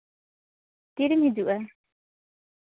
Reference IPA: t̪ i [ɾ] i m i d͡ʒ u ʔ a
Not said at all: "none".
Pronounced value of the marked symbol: ɾ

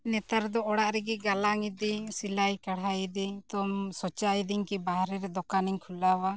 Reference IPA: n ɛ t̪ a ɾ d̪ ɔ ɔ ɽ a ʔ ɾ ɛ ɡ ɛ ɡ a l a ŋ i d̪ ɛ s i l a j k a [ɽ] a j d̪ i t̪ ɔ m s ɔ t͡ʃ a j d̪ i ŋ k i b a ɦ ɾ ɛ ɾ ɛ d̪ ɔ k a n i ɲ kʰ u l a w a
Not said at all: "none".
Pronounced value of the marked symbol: ɽ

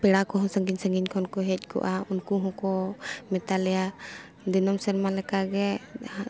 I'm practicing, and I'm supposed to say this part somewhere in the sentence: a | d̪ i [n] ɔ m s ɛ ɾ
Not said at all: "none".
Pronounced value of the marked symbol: n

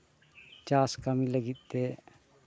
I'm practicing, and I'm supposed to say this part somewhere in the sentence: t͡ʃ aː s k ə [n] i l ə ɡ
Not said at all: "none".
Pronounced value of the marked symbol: m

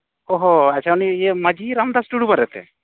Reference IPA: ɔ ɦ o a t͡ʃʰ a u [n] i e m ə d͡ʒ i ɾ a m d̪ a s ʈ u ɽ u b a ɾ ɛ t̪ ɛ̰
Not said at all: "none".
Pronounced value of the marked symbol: n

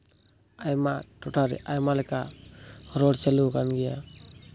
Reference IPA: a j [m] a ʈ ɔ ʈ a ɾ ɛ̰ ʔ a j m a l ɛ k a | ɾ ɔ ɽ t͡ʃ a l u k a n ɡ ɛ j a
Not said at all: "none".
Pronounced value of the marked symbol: m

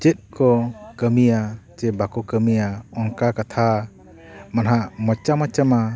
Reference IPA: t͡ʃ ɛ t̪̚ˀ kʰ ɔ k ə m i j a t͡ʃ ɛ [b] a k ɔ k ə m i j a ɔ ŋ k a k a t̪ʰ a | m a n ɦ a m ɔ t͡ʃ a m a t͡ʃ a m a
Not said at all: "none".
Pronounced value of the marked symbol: b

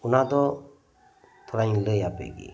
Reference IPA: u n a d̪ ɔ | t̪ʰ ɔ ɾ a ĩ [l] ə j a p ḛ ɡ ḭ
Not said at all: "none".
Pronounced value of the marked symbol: l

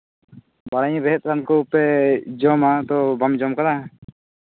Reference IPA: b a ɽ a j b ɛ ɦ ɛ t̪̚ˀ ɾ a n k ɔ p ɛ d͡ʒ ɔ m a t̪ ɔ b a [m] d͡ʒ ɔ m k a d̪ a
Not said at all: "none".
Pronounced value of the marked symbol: m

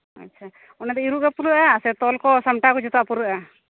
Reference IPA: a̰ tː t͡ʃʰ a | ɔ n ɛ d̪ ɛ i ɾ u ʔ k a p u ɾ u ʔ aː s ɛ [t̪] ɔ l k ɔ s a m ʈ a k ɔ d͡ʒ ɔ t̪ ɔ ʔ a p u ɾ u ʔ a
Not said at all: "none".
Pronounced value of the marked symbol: t̪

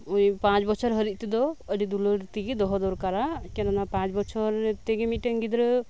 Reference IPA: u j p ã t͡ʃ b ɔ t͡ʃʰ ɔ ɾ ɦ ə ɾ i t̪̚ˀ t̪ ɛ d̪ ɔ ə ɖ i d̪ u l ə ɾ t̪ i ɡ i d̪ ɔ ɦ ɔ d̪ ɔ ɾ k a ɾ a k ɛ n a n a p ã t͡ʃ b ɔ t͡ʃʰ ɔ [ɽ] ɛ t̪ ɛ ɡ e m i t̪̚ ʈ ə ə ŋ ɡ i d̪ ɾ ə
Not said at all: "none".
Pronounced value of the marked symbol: ɾ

